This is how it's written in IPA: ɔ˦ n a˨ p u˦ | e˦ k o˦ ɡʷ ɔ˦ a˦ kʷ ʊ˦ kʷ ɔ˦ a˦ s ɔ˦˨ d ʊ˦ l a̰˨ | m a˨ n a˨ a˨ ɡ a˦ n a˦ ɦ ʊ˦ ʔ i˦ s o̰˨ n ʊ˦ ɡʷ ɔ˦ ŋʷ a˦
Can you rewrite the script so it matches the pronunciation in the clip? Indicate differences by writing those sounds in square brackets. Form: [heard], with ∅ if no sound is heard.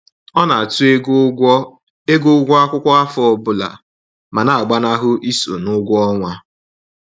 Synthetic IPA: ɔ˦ n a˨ [t] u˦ | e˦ [ɡ] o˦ ɡʷ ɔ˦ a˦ kʷ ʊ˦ kʷ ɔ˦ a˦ [f] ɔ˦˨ [b] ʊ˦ l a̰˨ | m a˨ n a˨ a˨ [ɡ͡b] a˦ n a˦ ɦ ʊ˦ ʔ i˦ s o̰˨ n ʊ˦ ɡʷ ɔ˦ ŋʷ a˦